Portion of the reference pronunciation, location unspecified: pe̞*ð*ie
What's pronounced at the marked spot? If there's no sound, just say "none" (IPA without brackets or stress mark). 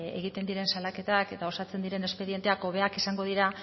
ð